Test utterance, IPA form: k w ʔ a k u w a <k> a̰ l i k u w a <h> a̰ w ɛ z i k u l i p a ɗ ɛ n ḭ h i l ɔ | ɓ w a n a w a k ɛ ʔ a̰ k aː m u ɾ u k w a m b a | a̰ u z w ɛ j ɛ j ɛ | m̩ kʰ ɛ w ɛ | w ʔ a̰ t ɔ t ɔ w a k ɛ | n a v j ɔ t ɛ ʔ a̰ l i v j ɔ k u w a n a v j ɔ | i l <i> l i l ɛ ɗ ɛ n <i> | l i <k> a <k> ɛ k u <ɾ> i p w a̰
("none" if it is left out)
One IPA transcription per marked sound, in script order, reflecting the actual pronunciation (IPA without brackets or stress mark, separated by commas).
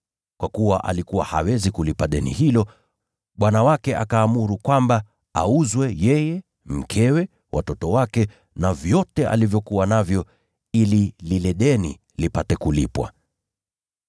ʔ, h, i, i, p, t, l